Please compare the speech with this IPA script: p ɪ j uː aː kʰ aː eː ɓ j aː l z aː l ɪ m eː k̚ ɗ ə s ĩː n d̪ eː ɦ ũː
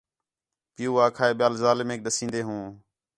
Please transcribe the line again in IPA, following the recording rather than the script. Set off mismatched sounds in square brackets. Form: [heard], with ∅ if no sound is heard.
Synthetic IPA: p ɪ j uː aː kʰ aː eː ɓ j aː l z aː l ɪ m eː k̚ ɗ ə s ĩː n d̪ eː ɦ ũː